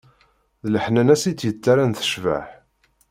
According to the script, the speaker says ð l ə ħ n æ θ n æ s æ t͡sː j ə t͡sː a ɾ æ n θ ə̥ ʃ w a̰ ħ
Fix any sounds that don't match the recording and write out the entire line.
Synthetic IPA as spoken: ð l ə ħ n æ n æ s i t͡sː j ə t͡sː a ɾ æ n θ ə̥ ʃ v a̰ ħ